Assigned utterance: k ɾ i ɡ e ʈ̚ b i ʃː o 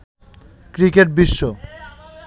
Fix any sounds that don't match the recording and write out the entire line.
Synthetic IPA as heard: k ɾ i k e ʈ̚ b i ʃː o